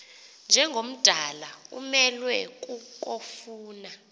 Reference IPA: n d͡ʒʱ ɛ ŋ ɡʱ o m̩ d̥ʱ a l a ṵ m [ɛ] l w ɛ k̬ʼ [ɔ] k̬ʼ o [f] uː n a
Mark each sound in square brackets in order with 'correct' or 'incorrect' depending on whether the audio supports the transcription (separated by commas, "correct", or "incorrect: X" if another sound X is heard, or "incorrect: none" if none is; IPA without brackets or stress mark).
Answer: correct, incorrect: u, correct